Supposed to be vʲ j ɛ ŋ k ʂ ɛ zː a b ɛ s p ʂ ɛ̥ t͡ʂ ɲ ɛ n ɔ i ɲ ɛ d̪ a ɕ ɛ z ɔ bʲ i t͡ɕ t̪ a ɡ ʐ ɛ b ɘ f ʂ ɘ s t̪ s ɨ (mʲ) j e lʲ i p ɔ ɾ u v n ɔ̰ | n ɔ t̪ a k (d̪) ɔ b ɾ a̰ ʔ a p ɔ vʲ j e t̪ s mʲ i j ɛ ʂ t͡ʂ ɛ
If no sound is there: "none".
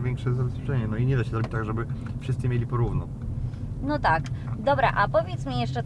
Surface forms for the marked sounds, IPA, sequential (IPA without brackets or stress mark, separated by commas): mʲ, d̪